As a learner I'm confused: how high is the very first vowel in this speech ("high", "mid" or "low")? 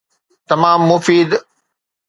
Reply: low